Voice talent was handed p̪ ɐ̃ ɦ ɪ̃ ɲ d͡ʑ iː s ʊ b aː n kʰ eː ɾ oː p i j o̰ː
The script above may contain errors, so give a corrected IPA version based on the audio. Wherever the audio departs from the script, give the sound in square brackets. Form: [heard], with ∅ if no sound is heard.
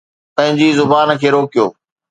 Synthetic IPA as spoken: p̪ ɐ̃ ɦ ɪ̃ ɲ d͡ʑ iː [z] ʊ b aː n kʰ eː ɾ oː [k] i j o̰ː